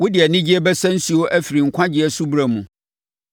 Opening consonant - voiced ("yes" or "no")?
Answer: yes